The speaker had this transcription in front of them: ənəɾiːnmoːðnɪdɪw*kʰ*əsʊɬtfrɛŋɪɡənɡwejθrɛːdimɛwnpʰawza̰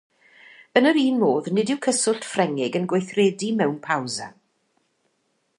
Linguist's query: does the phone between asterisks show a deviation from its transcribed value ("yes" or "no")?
no